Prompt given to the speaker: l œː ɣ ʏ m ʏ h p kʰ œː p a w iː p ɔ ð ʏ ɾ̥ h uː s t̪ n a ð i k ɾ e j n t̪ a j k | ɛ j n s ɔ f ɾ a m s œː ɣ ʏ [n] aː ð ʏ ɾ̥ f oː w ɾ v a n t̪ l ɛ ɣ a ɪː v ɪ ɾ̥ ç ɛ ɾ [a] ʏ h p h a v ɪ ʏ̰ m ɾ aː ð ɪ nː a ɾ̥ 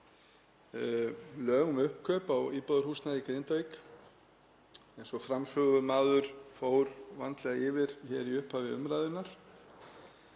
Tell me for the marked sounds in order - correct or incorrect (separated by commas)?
incorrect, incorrect